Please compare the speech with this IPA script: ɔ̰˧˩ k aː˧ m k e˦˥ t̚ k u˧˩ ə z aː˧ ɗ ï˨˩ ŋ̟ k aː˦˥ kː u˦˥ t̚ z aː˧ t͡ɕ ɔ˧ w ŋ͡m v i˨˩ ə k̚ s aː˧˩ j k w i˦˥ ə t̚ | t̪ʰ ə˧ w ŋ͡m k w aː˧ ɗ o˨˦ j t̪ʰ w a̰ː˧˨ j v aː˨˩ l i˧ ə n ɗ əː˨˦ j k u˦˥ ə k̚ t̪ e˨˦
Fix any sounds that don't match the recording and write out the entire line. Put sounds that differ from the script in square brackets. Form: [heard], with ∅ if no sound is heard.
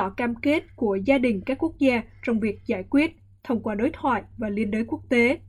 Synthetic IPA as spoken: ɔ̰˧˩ k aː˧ m k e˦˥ t̚ k u˧˩ ə z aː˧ ɗ ï˨˩ ŋ̟ k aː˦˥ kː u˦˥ [k̚] z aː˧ t͡ɕ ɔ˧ w ŋ͡m v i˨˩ ə k̚ [z] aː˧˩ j k w i˦˥ ə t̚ | t̪ʰ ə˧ w ŋ͡m k w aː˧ ɗ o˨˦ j t̪ʰ w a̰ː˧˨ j v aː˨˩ l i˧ ə n ɗ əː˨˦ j k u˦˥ ə k̚ t̪ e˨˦